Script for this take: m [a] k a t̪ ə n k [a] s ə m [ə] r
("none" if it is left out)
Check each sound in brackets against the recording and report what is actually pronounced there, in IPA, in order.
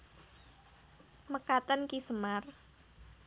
ə, i, a

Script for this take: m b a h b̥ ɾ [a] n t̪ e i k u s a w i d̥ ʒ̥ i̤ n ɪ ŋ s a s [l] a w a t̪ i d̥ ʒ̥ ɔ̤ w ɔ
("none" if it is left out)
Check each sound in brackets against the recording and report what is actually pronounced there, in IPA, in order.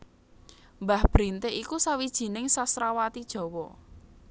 i, ɾ

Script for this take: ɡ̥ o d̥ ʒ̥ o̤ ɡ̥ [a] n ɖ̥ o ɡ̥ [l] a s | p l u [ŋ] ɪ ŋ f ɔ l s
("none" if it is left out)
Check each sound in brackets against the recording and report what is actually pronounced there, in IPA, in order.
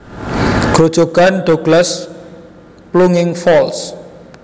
a, l, ŋ

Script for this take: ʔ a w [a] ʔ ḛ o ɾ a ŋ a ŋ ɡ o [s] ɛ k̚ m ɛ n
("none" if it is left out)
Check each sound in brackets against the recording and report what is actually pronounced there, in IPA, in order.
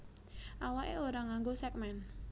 a, s

